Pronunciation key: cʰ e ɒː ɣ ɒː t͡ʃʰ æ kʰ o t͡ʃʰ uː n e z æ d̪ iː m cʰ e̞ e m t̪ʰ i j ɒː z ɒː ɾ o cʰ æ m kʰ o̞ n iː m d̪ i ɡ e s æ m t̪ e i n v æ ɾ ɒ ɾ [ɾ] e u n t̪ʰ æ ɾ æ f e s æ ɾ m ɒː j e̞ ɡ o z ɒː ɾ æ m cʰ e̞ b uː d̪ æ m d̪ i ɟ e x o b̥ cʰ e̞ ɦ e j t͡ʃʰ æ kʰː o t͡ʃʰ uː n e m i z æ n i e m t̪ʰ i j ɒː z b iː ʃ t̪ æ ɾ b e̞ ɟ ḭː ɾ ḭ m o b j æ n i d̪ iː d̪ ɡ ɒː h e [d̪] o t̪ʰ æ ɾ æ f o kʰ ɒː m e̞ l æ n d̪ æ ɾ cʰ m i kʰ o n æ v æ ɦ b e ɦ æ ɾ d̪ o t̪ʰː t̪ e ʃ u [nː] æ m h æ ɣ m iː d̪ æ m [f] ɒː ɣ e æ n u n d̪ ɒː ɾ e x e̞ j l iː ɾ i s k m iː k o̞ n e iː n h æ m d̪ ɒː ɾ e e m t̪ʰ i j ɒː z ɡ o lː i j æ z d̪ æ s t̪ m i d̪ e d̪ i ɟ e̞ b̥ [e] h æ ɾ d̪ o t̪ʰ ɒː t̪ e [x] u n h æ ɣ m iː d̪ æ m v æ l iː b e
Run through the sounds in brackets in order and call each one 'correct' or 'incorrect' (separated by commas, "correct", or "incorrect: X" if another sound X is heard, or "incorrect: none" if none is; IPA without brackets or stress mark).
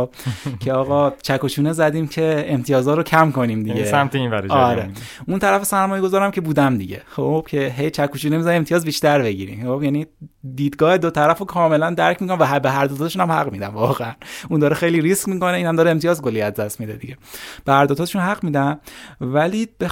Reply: correct, correct, incorrect: n, incorrect: v, correct, incorrect: ʃ